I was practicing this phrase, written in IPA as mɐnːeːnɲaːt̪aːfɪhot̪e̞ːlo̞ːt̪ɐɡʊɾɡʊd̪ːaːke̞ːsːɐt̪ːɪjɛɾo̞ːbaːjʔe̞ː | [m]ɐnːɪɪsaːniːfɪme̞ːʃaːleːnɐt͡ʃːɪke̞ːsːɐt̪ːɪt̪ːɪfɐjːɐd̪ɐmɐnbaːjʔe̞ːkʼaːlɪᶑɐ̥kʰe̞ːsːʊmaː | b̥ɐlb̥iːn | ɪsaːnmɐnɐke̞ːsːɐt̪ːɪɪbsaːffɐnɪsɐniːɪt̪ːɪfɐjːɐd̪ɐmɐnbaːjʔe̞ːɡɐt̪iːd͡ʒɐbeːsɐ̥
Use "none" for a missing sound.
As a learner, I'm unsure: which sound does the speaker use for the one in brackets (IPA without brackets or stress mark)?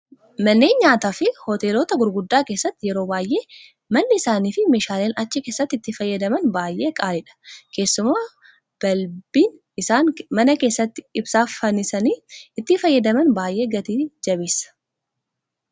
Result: m